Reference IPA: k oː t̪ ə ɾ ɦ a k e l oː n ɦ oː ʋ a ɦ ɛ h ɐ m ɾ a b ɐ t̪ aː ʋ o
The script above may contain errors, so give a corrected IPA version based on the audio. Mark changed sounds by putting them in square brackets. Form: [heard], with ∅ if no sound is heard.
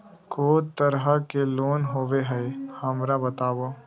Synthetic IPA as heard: k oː t̪ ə ɾ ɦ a k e l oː n ɦ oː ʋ [e] ɦ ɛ h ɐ m ɾ a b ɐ t̪ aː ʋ o